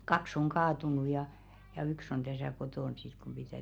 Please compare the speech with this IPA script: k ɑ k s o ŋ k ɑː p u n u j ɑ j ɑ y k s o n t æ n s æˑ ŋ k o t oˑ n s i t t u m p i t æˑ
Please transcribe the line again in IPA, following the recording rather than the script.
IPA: k ɑ k s o ŋ k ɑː t u n u j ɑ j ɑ y k s o n t æ s æˑ k o t oˑ n s i t k u m p i t æˑ